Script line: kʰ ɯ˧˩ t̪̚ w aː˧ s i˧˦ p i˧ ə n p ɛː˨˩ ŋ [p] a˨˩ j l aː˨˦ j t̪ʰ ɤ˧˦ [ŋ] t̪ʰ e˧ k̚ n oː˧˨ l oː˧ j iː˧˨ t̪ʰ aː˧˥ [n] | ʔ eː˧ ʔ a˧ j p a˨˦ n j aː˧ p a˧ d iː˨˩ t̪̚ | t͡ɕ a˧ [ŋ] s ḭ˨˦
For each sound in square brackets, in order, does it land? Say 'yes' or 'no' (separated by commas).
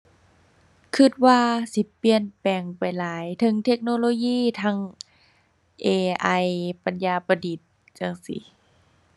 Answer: yes, yes, no, yes